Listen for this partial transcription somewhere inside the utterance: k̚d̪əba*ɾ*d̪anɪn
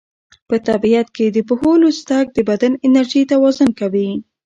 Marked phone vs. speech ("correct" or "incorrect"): incorrect